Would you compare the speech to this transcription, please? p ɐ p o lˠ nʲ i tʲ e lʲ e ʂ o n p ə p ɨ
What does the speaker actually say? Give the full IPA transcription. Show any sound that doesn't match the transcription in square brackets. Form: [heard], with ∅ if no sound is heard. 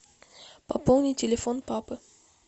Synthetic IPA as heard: p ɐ p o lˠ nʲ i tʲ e lʲ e [f] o n p [a] p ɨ